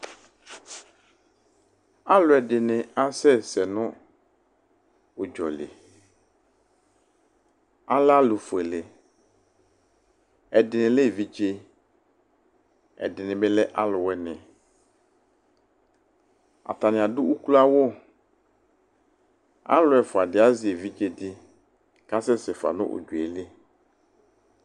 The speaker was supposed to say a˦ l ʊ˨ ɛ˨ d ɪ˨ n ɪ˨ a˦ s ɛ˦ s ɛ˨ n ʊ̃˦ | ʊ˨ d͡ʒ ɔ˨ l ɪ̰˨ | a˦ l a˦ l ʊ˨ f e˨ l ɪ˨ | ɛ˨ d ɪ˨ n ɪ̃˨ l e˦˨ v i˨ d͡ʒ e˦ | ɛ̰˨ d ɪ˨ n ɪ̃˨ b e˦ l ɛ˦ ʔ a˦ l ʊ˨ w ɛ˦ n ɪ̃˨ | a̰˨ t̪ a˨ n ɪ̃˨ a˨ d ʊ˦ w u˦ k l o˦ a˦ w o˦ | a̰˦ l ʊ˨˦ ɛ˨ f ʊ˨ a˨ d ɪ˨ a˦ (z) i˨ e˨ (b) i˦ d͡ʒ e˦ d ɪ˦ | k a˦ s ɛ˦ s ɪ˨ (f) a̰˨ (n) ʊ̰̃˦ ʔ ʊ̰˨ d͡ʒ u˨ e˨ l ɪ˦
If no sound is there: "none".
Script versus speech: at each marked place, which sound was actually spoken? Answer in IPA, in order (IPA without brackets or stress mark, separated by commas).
z, v, f, n